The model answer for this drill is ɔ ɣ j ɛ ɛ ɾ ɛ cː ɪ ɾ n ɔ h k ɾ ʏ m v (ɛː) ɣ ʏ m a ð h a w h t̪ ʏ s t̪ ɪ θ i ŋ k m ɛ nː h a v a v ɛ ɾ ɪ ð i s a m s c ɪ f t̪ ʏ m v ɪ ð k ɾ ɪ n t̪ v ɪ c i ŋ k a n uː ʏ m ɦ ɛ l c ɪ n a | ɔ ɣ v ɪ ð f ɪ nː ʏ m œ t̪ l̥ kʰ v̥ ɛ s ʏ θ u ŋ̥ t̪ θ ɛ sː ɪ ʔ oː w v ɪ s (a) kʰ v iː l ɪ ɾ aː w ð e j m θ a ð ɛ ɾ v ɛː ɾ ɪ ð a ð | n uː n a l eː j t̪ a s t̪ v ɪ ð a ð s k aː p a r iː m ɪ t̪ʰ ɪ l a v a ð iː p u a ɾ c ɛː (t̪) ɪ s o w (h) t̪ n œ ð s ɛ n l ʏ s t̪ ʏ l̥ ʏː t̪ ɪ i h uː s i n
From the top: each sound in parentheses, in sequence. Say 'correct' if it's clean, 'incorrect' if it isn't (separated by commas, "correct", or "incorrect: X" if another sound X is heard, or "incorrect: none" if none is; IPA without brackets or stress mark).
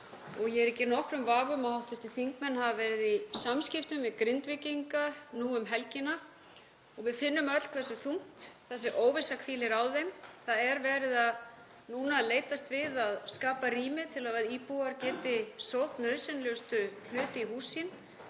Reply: incorrect: aː, correct, correct, correct